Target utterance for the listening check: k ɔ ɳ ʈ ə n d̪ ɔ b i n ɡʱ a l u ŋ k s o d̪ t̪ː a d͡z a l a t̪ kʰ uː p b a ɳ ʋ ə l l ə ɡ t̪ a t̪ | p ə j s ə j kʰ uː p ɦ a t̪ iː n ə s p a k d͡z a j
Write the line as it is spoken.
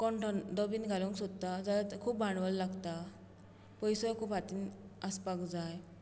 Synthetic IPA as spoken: k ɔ ɳ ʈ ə n d̪ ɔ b i n ɡʱ a l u ŋ k s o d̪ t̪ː a d͡z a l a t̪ kʰ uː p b a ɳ ʋ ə l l a ɡ t̪ a | p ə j s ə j kʰ uː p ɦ a t̪ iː n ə s p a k d͡z a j